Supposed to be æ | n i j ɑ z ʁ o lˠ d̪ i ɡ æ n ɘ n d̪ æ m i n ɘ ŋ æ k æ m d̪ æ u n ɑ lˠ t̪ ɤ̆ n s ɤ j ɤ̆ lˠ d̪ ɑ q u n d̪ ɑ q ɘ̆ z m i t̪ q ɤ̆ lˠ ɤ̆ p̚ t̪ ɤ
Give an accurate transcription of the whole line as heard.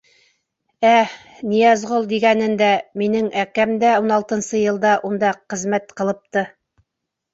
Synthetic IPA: æ | n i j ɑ z ʁ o lˠ d̪ i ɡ æ n ɘ n d̪ æ m i n ɘ ŋ æ k æ m d̪ æ u n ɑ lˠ t̪ ɤ̆ n s ɤ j ɤ̆ lˠ d̪ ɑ ʔ u n d̪ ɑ q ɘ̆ z m æ t̪ q ɤ̆ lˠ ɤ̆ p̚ t̪ ɤ